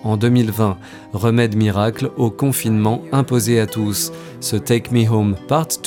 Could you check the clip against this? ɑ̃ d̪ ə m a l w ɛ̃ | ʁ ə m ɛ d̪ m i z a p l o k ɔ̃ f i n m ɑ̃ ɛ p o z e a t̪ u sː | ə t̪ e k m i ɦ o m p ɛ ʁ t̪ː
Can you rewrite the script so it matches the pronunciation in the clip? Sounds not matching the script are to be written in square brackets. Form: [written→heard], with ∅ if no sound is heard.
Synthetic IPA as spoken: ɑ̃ d̪ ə m [a→i] l [w→v] ɛ̃ | ʁ ə m ɛ d̪ m i [z→ʁ] a [p→k] l o k ɔ̃ f i n m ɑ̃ [ɛ→ɛ̃] p o z e a t̪ u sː | ə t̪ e k m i ɦ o m p [ɛ→a] ʁ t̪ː